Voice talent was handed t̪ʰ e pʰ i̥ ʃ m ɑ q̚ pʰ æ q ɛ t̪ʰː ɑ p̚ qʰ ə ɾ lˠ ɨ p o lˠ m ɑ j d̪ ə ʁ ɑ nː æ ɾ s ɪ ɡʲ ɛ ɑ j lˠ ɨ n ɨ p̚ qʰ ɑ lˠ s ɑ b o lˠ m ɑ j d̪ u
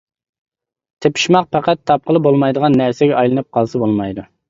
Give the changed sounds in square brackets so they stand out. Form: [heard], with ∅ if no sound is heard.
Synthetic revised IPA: t̪ʰ e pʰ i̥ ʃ m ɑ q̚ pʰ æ q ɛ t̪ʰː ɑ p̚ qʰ ə [∅] lˠ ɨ [b] o lˠ m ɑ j d̪ ə ʁ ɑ nː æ ɾ s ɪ ɡʲ ɛ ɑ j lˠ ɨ n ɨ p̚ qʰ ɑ lˠ s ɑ b o lˠ m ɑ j d̪ u